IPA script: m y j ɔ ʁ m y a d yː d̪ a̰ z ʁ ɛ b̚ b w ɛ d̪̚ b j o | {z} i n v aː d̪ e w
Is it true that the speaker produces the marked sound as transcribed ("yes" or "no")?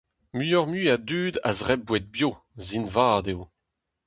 yes